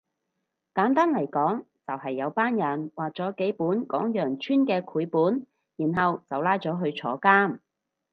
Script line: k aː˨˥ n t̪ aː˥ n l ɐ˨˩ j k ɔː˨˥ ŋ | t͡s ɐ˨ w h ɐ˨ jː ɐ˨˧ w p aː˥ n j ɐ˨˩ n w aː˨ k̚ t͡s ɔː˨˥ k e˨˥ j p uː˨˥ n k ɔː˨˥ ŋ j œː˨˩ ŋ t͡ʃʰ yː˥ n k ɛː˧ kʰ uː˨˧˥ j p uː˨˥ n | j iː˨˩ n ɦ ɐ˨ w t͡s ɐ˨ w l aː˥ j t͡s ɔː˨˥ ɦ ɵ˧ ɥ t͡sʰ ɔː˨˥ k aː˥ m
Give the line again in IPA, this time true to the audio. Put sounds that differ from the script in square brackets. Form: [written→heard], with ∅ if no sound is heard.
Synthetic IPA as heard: k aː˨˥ n t̪ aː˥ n l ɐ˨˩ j k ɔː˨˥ ŋ | t͡s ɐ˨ w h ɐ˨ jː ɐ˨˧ w p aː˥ n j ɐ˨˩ n w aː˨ k̚ t͡s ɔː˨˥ k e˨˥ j p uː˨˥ n k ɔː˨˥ ŋ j œː˨˩ ŋ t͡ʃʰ yː˥ n k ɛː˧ kʰ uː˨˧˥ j p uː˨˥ n | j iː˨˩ n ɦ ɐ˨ w t͡s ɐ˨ w l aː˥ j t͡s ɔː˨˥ ɦ ɵ˧ ɥ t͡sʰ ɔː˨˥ k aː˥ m